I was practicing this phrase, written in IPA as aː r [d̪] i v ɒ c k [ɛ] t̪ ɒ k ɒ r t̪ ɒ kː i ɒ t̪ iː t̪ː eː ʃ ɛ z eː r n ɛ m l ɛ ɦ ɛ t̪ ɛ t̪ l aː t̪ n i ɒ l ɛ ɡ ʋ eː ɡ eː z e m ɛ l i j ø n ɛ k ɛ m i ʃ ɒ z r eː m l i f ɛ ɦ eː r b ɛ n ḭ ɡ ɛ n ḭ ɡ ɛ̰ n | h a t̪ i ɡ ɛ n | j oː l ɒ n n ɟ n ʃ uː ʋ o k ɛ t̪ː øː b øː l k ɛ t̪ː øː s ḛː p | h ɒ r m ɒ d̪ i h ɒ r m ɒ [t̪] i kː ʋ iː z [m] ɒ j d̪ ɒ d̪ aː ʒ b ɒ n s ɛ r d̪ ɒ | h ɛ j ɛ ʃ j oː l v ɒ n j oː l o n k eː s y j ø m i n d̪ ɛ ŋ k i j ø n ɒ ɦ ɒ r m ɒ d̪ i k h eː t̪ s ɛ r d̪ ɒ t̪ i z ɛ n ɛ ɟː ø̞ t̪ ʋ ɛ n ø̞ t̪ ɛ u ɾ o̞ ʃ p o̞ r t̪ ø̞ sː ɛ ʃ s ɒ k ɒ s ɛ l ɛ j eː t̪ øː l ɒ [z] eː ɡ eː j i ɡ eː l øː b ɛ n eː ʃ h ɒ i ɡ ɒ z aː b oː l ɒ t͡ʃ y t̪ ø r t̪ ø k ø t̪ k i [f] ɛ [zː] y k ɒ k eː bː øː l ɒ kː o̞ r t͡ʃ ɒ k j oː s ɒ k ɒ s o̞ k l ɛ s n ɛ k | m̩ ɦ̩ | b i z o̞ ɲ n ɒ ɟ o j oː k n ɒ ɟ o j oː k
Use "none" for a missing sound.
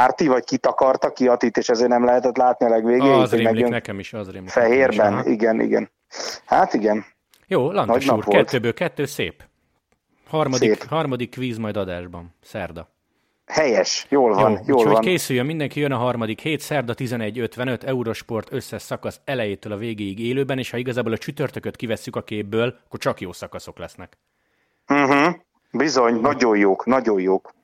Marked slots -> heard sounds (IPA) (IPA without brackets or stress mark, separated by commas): t̪, i, d̪, m, v, v, sː